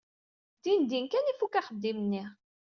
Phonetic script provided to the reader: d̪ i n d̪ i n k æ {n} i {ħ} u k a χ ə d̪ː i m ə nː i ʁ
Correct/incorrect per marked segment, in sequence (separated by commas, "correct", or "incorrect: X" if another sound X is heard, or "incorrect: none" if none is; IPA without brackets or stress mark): correct, incorrect: f